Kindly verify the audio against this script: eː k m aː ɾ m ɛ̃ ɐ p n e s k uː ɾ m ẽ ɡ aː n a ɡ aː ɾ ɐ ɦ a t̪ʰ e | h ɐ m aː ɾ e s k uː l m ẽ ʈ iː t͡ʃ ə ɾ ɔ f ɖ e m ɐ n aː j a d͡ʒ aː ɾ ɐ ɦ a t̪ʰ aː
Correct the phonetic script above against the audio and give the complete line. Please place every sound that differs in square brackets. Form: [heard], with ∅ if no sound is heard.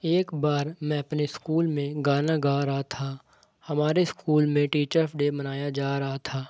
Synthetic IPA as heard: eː k [b] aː ɾ m ɛ̃ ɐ p n e s k uː [l] m ẽ ɡ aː n a ɡ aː ɾ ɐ ɦ a t̪ʰ [a] | h ɐ m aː ɾ e s k uː l m ẽ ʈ iː t͡ʃ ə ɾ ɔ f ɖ e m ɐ n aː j a d͡ʒ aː ɾ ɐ ɦ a t̪ʰ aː